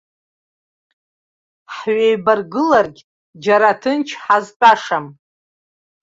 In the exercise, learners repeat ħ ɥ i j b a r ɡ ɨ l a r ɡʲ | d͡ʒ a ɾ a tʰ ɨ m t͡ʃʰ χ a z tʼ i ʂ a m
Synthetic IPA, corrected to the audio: ħ ɥ e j b a r ɡ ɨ l a r ɡʲ | d͡ʒ a ɾ a tʰ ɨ n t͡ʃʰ ħ a z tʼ a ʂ a m